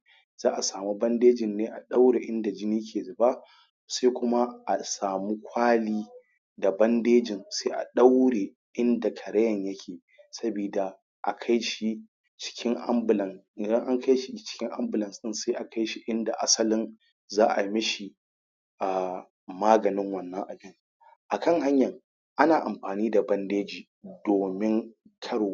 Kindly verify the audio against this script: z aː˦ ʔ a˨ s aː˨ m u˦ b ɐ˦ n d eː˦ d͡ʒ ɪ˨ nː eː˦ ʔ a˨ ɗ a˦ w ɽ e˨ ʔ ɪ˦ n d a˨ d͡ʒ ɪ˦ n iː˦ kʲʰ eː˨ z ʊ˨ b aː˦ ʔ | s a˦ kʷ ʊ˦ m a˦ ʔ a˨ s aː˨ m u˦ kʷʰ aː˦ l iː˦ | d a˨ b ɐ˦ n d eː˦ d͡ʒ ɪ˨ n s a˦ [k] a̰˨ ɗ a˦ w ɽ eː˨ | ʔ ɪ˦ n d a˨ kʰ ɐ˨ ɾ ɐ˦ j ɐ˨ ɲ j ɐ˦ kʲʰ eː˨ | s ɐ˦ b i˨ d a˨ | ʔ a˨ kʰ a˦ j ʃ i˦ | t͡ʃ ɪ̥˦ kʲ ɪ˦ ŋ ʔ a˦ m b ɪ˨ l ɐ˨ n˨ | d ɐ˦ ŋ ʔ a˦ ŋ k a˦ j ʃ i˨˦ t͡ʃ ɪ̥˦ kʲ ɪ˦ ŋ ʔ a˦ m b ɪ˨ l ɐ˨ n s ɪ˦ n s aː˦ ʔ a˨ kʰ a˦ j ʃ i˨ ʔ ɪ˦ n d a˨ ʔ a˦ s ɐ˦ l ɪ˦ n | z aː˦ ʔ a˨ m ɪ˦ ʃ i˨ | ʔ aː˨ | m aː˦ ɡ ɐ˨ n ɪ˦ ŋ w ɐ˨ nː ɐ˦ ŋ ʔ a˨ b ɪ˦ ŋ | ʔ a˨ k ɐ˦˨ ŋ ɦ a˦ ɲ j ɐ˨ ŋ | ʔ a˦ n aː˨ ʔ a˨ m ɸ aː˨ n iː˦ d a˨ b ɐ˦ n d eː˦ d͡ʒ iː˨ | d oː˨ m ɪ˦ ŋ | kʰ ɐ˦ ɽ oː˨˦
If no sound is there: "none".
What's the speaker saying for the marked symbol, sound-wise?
ʔ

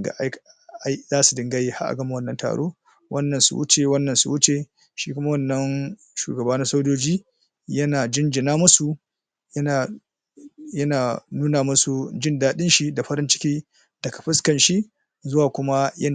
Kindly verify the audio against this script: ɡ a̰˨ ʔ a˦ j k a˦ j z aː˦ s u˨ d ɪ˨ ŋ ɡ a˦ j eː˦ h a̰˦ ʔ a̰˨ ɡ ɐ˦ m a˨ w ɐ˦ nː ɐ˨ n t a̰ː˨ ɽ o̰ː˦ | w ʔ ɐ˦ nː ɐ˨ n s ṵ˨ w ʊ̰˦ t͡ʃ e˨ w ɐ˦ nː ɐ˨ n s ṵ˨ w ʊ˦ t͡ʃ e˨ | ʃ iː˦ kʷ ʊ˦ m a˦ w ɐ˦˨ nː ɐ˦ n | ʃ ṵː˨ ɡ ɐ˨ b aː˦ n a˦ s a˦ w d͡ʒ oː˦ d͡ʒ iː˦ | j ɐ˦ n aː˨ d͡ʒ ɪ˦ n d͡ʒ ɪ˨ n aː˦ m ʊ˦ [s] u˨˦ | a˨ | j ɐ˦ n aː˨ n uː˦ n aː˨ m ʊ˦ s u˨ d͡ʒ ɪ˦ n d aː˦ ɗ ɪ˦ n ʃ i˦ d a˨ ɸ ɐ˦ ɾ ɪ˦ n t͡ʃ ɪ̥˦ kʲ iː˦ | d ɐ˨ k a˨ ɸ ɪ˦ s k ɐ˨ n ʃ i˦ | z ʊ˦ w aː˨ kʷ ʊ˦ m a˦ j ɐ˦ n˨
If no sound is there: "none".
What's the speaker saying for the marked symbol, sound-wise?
s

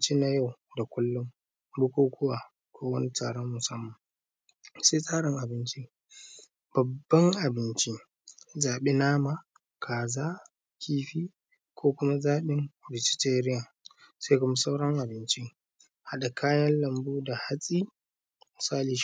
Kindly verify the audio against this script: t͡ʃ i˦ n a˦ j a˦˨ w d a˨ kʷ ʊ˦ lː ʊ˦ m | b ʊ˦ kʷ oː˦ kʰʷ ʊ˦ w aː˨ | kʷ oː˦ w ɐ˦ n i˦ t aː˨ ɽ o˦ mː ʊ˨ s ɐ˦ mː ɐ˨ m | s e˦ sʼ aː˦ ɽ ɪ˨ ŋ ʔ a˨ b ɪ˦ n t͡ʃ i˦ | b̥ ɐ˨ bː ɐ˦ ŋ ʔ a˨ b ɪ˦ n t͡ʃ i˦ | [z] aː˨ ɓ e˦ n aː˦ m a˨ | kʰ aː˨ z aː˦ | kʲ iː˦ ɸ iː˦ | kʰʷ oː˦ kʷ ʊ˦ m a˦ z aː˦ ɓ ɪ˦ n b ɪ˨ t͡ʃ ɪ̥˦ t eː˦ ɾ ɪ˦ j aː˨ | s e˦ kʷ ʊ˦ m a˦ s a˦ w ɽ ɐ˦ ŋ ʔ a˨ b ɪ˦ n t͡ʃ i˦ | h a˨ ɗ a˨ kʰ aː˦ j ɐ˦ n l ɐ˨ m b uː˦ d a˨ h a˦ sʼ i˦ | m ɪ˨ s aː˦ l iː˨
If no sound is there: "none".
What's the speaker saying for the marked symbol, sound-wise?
z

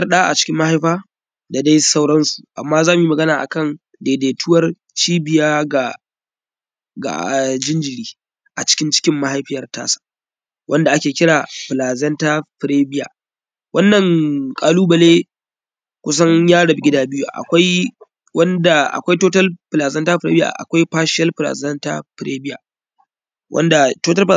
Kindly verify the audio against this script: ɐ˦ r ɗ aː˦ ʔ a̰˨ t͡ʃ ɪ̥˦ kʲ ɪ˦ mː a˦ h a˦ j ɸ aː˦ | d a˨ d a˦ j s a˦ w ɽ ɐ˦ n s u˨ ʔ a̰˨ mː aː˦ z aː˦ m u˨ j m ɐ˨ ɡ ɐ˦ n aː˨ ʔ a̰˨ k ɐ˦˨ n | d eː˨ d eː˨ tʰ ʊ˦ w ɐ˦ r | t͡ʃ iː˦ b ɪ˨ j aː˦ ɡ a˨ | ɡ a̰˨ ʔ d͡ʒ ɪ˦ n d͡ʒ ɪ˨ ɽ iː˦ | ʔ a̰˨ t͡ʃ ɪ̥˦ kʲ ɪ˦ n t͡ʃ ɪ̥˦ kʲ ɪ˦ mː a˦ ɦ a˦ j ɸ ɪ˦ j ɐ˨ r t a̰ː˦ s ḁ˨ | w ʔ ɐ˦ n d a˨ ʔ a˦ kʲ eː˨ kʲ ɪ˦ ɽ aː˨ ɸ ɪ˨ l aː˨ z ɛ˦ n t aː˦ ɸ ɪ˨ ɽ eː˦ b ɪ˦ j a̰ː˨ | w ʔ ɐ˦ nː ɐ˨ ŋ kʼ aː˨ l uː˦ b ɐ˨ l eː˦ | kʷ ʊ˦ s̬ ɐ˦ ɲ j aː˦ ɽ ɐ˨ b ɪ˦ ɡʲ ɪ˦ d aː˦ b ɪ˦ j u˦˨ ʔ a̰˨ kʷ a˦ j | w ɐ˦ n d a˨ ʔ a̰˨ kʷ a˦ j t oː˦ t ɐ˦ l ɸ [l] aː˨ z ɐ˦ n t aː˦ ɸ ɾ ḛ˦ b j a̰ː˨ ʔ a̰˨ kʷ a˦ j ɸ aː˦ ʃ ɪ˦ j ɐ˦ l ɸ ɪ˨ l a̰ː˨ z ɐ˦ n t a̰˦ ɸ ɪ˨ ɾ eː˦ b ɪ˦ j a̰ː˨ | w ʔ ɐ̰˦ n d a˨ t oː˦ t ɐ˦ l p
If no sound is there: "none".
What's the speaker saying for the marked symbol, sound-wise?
l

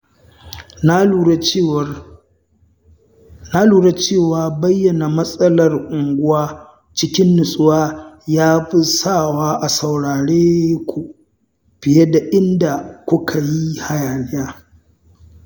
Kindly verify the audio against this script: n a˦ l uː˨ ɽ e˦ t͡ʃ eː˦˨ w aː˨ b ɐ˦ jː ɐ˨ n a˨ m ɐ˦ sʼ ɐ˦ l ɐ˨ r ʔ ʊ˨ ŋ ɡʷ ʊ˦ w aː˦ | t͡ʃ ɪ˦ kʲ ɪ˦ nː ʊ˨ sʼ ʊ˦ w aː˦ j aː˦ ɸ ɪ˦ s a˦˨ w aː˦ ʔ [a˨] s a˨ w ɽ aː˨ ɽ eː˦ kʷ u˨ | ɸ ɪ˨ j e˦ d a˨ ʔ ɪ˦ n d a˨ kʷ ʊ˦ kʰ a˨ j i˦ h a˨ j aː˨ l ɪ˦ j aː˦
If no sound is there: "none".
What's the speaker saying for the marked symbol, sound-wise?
a˨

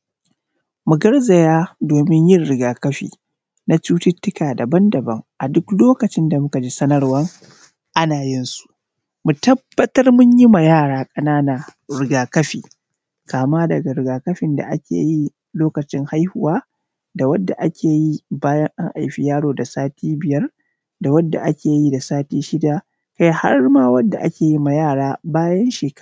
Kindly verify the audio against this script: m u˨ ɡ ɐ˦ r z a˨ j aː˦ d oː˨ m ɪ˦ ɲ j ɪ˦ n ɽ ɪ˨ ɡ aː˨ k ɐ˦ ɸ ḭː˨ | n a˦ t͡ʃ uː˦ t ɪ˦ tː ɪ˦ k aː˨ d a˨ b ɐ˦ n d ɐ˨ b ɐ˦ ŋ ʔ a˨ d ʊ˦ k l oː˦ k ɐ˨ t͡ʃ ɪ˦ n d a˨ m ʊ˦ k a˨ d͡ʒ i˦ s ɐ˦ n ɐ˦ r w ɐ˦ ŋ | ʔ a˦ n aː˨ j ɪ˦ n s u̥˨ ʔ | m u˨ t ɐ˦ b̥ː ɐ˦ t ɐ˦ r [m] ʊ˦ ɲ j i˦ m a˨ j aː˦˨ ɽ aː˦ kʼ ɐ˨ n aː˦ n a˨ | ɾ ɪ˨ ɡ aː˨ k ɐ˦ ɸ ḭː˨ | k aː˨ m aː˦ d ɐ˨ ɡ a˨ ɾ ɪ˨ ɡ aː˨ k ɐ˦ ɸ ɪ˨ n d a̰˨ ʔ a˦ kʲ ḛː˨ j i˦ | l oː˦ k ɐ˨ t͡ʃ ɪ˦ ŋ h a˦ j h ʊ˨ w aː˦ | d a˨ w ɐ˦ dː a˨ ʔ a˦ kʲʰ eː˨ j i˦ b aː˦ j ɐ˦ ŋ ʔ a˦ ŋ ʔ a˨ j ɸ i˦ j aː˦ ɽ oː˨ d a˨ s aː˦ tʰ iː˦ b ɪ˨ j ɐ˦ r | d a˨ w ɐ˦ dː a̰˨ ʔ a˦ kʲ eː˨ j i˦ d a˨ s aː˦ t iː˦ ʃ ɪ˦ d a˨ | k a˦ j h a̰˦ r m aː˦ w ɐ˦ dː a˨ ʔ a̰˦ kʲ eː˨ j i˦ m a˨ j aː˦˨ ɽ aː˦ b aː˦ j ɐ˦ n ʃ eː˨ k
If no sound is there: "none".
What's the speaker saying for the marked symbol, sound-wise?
m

